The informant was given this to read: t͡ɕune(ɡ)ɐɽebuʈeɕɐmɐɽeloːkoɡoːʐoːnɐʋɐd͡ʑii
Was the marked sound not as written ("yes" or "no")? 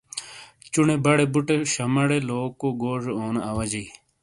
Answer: yes